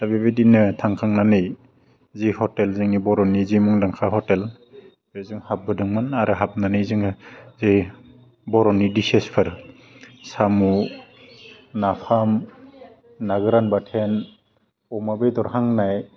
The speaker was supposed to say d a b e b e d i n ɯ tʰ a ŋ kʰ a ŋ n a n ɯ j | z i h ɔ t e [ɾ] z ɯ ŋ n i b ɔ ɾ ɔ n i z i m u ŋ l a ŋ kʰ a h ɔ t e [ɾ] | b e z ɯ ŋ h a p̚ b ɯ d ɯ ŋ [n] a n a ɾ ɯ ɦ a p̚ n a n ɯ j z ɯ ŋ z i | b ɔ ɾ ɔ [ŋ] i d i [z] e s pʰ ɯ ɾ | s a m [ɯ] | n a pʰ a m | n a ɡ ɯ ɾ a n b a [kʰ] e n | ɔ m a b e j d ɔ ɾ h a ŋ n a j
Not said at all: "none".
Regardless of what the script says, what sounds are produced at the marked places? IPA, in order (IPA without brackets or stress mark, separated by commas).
l, l, m, n, s, u, tʰ